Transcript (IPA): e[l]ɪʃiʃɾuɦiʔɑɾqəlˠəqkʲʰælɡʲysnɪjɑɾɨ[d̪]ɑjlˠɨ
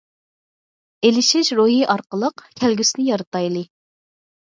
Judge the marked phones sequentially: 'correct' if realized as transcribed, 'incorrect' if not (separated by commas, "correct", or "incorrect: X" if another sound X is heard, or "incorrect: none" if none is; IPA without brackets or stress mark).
correct, incorrect: t̪